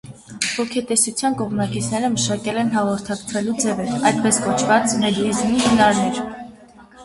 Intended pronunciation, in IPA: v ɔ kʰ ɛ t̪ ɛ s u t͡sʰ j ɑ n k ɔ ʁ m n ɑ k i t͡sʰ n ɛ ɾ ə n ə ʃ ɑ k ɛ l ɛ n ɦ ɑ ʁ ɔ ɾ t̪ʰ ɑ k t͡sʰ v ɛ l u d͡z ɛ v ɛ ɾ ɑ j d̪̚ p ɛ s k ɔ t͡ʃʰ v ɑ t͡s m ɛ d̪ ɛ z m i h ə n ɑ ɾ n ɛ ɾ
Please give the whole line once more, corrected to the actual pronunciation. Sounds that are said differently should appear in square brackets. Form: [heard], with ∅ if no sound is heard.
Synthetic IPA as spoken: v ɔ kʰ ɛ t̪ ɛ s u t͡sʰ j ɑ n k ɔ ʁ m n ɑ k i t͡sʰ n ɛ ɾ ə [m] ə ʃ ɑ k ɛ l ɛ n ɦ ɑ ʁ ɔ ɾ t̪ʰ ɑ k t͡sʰ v ɛ l u d͡z ɛ v ɛ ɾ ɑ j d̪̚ p ɛ s k ɔ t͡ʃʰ v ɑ t͡s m ɛ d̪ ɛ z m i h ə n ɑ ɾ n ɛ ɾ